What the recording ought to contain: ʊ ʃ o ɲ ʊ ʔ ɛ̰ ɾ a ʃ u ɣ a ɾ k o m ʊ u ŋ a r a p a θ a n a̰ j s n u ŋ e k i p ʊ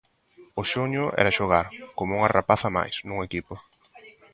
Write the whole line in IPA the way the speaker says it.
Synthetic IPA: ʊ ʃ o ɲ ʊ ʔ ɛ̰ ɾ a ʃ o ɣ a ɾ k o m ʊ u ŋ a r a p a θ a m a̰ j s n u ŋ e k i p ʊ

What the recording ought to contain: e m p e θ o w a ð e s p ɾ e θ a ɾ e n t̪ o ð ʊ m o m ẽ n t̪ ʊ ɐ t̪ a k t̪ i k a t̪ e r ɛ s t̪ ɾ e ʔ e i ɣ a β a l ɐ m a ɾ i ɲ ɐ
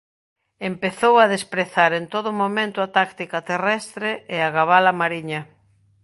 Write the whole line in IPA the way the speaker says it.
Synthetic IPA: e m p e θ o w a ð e s p ɾ e θ a ɾ e n t̪ o ð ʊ m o m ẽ n t̪ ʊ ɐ t̪ a k t̪ i k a t̪ e r ɛ s t̪ ɾ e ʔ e a ɣ a β a l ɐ m a ɾ i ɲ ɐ

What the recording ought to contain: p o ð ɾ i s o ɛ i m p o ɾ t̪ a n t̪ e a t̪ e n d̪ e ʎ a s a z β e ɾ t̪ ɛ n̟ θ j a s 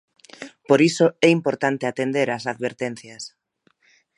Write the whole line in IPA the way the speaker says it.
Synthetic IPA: p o ɾ i s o ɛ i m p o ɾ t̪ a n t̪ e a t̪ e n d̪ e ɾ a s a ð β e ɾ t̪ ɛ n̟ θ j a s

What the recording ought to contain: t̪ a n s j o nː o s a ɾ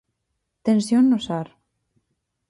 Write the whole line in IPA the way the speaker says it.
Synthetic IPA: t̪ e n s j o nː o s a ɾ

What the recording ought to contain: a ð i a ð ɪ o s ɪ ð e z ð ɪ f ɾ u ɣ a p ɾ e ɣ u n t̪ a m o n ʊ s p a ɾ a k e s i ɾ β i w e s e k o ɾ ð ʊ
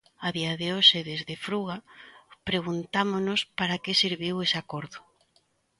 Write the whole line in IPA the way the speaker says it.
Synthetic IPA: a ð i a ð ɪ o ʃ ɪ ð e z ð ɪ f ɾ u ɣ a p ɾ e ɣ u n t̪ a m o n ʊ s p a ɾ a k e s i ɾ β i w e s a k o ɾ ð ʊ

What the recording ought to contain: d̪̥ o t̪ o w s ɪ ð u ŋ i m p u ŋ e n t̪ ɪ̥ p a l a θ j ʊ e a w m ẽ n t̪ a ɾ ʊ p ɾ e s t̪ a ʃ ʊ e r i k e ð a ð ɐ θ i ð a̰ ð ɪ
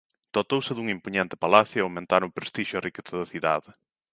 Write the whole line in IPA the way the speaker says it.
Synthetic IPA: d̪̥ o t̪ o w s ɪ ð u ŋ i m p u ɲ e n t̪ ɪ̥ p a l a θ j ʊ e a w m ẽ n t̪ a ɾ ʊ p ɾ e s t̪ i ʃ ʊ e r i k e θ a ð ɐ θ i ð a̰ ð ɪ

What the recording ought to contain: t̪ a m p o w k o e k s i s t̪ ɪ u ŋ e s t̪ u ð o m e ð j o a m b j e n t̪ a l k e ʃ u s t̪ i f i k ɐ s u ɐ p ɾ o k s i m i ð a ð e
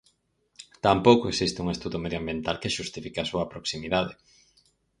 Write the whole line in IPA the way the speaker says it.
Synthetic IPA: t̪ a m p o w k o e k s i s t̪ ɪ u ŋ e s t̪ u ð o m e ð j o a m b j e n t̪ a l k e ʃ u s t̪ i f i k a s u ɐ p ɾ o k s i m i ð a ð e

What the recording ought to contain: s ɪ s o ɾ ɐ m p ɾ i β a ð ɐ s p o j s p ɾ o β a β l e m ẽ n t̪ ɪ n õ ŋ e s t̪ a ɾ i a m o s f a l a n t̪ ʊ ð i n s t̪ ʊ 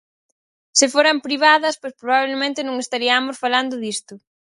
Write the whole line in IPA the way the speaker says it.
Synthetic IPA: s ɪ f o ɾ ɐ m p ɾ i β a ð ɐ s p o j s p ɾ o β a β l e m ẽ n t̪ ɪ n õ ŋ e s t̪ a ɾ i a m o s f a l a n d̪ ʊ ð i s t̪ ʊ

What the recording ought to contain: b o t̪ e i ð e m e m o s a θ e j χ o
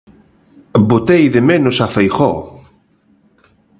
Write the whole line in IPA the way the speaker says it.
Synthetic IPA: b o t̪ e j ð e m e n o s a f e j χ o

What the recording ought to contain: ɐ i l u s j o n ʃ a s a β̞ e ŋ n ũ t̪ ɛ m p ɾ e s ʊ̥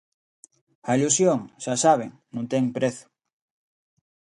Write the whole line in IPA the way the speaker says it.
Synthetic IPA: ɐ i l u s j o ŋ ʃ a s a β̞ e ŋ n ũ t̪ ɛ ŋ p ɾ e θ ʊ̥

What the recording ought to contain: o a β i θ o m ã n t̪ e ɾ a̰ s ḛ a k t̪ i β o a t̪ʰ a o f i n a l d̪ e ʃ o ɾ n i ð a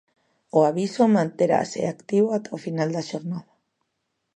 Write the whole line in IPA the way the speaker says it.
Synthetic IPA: o a β i s o m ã n t̪ e ɾ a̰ s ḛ a k t̪ i β o a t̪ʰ a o f i n a l d̪ a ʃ o ɾ n a ð a

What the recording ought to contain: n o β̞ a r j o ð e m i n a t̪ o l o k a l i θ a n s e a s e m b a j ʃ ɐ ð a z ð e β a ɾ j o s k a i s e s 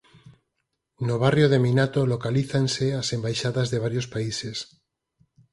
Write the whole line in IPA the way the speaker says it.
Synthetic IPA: n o β̞ a r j o ð e m i n a t̪ o l o k a l i θ a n s e a s e m b a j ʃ a ð a z ð e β a ɾ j o s p a i s e s

